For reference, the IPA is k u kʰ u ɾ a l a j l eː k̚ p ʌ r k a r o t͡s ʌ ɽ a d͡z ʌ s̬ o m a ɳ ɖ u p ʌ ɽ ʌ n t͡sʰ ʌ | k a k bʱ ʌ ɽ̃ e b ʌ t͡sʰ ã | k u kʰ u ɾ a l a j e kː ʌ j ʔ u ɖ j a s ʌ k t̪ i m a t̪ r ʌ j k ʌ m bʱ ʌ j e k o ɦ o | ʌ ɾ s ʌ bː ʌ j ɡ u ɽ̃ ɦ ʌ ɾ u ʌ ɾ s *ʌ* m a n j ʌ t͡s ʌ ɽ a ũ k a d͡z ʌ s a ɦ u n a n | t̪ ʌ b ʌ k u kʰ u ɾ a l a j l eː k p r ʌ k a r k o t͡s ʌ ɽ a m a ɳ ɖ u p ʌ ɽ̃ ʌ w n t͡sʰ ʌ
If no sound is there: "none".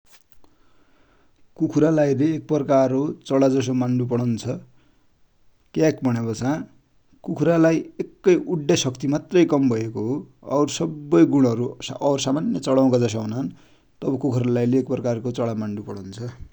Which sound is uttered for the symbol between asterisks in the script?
a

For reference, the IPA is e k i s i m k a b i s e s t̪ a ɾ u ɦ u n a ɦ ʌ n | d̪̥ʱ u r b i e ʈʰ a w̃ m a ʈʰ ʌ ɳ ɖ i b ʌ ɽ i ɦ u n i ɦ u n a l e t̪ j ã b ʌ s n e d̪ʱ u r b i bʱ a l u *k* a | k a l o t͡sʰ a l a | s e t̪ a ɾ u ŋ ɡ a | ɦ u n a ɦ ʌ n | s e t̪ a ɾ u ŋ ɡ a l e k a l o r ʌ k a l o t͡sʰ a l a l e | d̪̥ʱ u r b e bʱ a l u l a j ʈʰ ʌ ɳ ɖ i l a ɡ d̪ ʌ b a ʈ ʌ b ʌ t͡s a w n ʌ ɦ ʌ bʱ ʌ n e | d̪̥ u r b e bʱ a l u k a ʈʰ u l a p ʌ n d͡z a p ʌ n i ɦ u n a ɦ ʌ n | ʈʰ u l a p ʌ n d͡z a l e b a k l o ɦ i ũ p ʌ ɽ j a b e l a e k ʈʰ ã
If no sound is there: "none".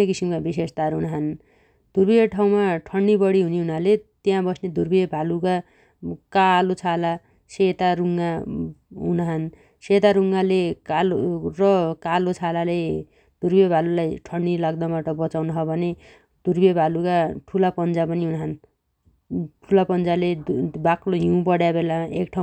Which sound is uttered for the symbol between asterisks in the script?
k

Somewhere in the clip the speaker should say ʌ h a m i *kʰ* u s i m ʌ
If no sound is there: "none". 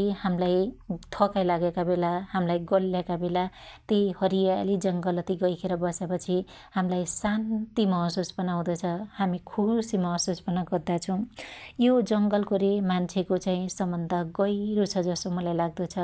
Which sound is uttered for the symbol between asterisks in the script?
kʰ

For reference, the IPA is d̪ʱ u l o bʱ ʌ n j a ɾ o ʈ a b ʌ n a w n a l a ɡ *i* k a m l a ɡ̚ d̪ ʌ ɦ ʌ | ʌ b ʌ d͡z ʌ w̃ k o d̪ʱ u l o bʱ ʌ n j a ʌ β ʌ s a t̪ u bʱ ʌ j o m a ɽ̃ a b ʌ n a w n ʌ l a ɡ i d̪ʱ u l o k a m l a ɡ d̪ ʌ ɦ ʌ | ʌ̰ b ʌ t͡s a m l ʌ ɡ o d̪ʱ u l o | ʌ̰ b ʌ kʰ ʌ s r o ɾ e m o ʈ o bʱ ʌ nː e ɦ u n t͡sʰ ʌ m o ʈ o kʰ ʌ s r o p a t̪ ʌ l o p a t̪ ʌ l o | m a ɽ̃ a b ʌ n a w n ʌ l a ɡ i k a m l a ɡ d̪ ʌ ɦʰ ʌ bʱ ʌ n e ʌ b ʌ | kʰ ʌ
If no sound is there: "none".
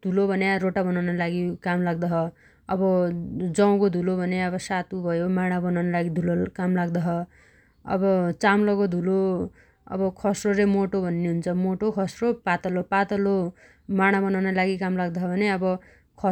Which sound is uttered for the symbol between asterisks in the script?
i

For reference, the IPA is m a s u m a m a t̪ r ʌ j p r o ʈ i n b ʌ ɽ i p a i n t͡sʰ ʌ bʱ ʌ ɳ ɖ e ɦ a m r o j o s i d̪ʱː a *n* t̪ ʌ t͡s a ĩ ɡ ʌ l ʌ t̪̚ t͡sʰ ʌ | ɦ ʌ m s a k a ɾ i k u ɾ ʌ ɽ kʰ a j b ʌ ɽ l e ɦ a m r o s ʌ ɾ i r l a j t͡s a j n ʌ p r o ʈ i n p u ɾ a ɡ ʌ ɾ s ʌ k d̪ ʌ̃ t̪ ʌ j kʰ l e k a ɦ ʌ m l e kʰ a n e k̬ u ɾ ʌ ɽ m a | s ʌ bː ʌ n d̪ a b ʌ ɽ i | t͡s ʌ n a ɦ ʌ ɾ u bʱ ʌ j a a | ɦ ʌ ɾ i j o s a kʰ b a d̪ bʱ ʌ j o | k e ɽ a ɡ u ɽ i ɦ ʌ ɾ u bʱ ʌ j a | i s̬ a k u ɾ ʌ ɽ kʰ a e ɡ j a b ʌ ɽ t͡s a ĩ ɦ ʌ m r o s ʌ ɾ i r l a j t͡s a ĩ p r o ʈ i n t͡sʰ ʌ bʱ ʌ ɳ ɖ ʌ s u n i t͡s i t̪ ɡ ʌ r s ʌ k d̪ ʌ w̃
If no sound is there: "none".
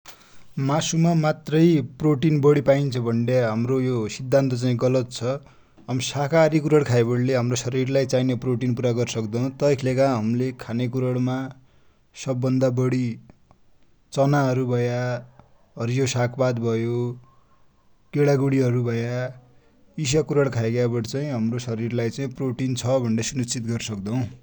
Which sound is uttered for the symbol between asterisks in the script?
n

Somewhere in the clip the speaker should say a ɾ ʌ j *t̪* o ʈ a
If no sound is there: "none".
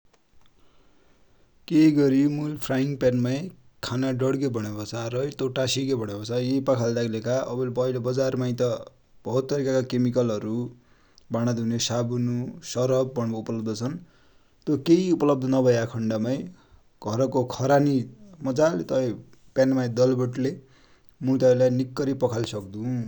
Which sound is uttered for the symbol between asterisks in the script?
t̪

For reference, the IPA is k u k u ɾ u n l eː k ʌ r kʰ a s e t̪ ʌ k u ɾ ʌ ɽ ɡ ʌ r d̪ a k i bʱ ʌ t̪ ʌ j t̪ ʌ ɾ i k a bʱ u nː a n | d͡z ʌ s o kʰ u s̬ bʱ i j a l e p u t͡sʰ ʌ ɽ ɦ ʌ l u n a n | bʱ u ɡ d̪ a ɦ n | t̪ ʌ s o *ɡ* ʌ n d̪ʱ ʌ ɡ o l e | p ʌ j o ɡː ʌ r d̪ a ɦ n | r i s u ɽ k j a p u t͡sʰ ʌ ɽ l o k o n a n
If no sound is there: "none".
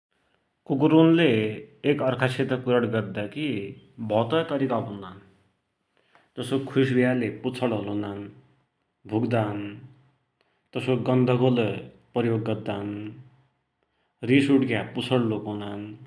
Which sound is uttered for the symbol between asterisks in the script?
ɡ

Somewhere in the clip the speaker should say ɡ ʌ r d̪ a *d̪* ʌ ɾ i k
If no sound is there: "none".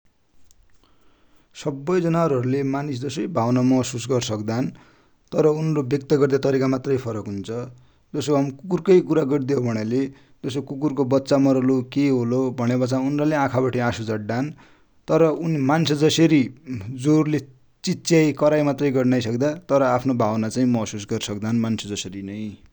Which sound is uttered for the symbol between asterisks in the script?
t̪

